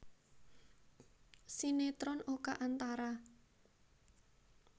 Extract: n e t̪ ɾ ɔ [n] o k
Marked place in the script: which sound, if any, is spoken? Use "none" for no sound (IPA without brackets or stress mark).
n